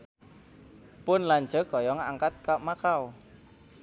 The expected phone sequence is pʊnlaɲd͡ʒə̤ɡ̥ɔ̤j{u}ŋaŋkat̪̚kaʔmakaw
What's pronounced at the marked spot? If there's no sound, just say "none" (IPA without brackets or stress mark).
ɔ